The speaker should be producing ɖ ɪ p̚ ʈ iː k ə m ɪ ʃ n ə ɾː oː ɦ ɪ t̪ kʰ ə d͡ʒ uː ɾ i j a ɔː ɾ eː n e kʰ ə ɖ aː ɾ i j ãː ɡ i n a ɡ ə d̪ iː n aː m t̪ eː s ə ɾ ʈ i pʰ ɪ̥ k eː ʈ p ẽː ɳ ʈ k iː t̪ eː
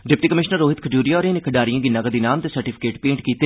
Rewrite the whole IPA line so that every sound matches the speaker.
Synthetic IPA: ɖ ɪ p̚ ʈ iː k ə m ɪ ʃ n ə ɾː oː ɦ ɪ t̪ kʰ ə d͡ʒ uː ɾ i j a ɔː ɾ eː n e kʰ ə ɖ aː ɾ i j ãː ɡ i n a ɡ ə d̪ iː n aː m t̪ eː s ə ɾ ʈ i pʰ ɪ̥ k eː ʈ p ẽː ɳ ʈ k iː t̪ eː